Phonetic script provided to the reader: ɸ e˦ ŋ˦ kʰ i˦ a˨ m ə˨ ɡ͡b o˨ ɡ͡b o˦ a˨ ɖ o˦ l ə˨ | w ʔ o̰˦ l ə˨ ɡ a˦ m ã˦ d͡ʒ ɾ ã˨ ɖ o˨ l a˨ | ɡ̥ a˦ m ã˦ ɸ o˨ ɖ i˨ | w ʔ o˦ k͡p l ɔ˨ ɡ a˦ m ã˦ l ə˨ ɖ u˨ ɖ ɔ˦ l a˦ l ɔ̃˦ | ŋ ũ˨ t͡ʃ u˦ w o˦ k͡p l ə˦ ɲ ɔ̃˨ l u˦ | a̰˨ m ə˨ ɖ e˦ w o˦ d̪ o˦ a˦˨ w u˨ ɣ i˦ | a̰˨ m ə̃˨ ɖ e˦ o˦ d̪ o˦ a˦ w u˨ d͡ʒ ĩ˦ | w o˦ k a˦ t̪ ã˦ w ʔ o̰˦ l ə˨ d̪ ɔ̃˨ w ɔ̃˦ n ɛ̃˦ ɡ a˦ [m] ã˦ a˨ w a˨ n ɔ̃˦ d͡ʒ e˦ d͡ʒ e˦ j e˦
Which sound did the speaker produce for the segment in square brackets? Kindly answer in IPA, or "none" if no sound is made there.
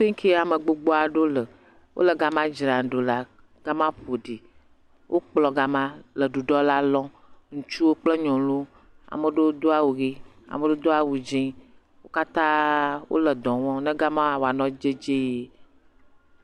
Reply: m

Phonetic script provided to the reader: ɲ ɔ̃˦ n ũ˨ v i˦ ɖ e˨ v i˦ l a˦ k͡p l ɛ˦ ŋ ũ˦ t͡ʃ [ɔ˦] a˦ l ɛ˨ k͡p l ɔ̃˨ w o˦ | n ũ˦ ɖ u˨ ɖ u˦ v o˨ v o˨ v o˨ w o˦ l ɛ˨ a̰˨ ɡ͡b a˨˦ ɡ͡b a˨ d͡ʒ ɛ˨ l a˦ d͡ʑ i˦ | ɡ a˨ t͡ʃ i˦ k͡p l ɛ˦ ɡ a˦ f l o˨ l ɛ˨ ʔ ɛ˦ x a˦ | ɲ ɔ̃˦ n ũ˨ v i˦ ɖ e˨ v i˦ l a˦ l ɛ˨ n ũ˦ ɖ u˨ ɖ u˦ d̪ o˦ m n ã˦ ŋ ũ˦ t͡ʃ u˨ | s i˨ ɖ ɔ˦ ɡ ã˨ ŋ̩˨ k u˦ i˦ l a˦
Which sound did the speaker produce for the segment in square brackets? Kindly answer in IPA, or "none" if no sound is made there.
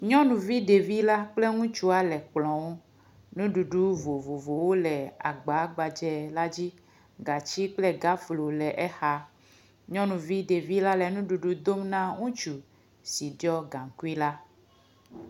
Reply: u˦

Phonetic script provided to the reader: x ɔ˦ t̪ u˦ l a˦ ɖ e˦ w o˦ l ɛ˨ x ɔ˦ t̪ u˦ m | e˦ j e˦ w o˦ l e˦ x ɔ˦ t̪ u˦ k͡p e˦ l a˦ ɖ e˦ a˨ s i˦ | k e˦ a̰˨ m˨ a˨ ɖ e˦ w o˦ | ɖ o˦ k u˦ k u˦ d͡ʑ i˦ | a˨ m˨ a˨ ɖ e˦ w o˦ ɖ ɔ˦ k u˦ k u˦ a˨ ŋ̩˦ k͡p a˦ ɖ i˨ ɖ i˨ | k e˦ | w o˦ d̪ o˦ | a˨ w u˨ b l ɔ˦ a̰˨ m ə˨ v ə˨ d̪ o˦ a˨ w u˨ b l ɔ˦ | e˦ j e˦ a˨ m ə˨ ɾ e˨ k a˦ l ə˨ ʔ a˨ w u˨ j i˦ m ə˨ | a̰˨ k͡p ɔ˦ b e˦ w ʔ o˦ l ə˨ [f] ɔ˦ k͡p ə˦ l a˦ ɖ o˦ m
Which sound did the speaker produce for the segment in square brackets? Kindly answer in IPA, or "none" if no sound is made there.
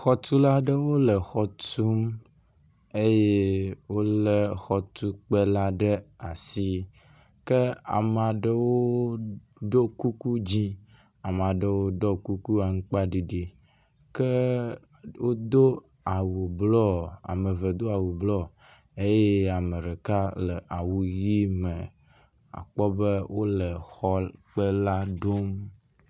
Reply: x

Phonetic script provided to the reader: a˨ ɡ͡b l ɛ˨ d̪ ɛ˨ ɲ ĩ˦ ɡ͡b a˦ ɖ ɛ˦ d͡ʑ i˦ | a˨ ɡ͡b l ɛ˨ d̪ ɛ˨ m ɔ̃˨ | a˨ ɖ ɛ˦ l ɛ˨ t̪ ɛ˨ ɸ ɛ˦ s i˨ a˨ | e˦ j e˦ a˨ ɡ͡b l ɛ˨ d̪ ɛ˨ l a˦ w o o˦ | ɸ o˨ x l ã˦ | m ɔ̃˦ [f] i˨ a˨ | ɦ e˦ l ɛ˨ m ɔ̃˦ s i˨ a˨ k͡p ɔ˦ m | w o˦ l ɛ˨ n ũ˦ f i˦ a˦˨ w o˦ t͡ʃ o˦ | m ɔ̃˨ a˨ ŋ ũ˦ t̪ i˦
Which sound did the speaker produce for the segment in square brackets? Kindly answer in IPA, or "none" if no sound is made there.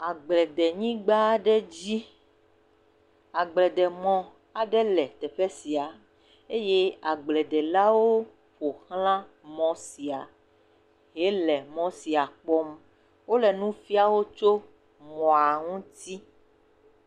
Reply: s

